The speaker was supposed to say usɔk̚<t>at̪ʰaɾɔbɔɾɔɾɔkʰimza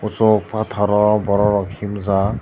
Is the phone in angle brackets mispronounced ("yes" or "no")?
yes